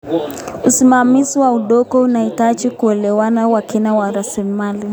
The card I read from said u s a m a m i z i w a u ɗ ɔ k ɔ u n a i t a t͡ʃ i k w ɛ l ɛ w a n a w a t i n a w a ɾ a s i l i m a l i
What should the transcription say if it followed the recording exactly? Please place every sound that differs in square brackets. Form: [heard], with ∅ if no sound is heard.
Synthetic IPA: u s [i] m a m i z i w a u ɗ ɔ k ɔ u n a i t a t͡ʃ i k [u] ɛ l ɛ w a n a w a [k] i n a w a ɾ a s i l i m a l i